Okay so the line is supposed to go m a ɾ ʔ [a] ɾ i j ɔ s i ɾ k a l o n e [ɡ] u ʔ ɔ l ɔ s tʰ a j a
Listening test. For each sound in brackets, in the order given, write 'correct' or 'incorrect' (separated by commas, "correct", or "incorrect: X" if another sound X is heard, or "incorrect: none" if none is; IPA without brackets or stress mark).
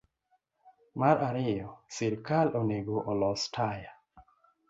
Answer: correct, correct